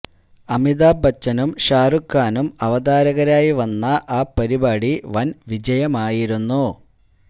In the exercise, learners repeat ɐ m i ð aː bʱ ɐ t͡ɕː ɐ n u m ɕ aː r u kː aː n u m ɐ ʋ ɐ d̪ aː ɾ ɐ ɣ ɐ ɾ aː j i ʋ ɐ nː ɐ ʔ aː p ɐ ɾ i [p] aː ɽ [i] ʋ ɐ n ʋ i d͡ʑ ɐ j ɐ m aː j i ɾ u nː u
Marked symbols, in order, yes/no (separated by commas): no, yes